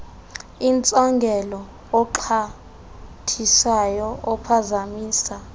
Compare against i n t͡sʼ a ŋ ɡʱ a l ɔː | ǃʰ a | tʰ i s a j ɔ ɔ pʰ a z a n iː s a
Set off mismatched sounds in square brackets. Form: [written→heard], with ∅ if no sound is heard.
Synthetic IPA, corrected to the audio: i n t͡sʼ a ŋ ɡʱ [a→ɛ] l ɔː | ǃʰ a | tʰ i s a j ɔ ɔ pʰ a z a [n→m] iː s a